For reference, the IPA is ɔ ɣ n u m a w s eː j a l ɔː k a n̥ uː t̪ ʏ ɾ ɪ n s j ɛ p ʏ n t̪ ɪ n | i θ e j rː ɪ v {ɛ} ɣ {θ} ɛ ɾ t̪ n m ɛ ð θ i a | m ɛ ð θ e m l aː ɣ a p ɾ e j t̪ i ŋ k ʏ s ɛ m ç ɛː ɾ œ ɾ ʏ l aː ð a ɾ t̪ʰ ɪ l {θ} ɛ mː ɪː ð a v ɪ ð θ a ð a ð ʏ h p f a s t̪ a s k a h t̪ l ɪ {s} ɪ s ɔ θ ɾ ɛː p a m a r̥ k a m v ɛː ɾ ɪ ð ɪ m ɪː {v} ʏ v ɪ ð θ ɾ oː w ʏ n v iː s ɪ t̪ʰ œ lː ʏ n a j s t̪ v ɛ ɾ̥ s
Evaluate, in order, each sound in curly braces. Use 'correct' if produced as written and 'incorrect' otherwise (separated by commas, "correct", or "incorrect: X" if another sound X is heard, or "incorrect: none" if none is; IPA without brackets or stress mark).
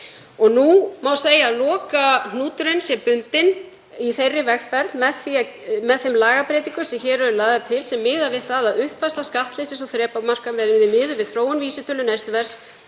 correct, incorrect: f, incorrect: s, correct, incorrect: ð